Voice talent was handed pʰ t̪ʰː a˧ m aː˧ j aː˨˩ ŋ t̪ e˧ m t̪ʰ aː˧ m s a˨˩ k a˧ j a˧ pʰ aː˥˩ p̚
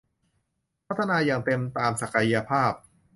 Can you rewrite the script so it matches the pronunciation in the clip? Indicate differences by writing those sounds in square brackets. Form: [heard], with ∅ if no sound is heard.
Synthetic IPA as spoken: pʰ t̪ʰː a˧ [n] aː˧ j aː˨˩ ŋ t̪ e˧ m [t̪] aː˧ m s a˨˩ k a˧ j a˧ pʰ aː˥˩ p̚